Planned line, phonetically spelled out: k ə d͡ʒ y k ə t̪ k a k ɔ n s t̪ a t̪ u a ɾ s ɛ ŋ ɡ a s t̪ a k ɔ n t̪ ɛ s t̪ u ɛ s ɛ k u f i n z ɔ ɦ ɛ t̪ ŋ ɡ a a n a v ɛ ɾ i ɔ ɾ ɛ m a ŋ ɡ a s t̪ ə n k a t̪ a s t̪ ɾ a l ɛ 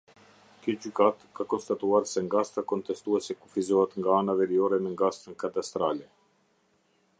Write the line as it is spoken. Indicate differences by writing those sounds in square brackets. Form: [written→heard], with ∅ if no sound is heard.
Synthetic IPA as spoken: k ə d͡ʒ y k [ə→a] t̪ k a k ɔ n s t̪ a t̪ u a ɾ s ɛ ŋ ɡ a s t̪ a k ɔ n t̪ ɛ s t̪ u ɛ s ɛ k u f i [n→∅] z ɔ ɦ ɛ t̪ ŋ ɡ a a n a v ɛ ɾ i ɔ ɾ ɛ m [a→ɛ] ŋ ɡ a s t̪ ə n k a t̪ a s t̪ ɾ a l ɛ